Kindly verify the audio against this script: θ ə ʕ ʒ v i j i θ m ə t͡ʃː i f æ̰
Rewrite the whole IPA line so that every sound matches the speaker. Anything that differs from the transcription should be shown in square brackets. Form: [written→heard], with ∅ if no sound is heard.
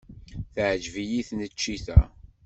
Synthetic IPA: θ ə ʕ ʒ v i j i θ [m→n] ə t͡ʃː i [f→θ] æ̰